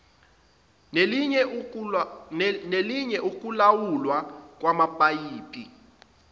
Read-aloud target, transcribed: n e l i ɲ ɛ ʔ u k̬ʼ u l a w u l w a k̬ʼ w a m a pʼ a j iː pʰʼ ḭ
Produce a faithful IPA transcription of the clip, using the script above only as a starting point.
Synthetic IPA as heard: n e l i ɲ ɛ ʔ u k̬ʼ u l a w u l w a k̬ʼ w a m a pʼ a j iː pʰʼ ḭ